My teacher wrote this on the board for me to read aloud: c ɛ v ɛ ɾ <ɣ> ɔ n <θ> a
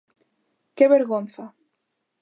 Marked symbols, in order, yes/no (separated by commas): yes, yes